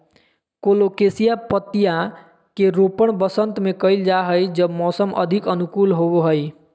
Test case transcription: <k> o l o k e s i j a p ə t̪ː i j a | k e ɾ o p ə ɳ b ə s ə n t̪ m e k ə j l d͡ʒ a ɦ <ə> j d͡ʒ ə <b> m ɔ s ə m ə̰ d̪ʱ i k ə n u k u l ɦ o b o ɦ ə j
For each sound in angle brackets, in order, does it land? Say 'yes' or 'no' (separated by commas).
yes, yes, yes